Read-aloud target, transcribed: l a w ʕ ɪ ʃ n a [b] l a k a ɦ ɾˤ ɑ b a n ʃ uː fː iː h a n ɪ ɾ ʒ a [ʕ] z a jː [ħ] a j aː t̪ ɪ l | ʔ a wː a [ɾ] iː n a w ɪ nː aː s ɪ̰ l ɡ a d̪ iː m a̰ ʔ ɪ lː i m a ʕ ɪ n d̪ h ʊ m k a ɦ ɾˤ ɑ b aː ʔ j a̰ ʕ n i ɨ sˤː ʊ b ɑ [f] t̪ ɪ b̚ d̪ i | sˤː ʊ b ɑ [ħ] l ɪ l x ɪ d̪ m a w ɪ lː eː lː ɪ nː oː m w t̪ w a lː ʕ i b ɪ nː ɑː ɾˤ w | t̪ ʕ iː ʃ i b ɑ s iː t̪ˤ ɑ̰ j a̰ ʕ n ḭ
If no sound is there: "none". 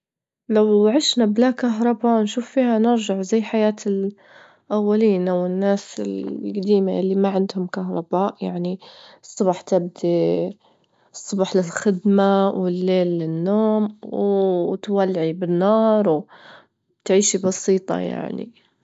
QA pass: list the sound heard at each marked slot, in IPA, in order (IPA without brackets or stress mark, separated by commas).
b, ʕ, ħ, l, ħ, ħ